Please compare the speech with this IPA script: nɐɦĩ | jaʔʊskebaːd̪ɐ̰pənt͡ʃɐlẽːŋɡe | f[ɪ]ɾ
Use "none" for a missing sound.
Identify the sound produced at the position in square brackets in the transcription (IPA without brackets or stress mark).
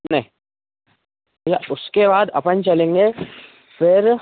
ɪ